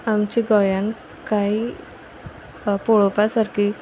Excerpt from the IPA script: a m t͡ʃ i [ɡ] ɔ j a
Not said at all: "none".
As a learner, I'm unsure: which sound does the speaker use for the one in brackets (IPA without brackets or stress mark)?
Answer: ɡ